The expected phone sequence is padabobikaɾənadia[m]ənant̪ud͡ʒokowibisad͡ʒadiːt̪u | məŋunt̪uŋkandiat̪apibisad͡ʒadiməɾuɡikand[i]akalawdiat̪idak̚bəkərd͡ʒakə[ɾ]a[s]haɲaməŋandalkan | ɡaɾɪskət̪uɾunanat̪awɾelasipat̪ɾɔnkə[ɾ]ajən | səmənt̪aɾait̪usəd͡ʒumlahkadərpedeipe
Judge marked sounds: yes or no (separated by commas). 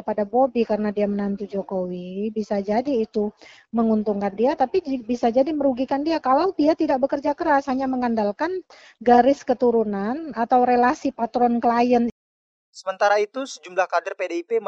yes, yes, yes, yes, no